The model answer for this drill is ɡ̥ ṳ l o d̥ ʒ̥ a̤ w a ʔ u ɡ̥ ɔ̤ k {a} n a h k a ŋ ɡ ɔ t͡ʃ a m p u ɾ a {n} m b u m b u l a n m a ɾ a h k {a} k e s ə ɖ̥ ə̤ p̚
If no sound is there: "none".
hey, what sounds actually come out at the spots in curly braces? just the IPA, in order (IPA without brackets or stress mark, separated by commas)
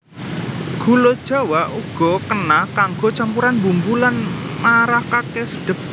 ə, n, a